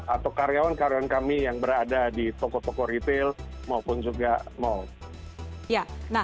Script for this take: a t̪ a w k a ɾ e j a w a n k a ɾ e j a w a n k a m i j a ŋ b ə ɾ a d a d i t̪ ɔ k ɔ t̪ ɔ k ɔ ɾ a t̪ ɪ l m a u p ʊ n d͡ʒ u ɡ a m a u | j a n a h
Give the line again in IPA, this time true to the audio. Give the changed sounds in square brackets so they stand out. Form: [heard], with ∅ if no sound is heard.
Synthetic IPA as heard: a t̪ a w k a ɾ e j a w a n k a ɾ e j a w a n k a m i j a ŋ b ə ɾ a d a d i t̪ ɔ k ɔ t̪ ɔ k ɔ ɾ [i] t̪ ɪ l m a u p ʊ n d͡ʒ u ɡ a m a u | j a n a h